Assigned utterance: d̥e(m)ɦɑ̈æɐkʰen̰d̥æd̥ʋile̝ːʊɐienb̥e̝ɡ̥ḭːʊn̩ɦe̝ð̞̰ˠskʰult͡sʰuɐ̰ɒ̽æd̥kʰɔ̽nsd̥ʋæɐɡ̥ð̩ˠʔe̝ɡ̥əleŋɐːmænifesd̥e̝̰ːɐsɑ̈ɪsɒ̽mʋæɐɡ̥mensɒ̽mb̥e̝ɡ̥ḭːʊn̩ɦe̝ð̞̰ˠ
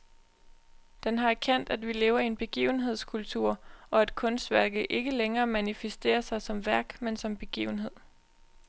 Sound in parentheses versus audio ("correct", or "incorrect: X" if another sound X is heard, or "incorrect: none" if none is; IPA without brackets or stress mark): incorrect: n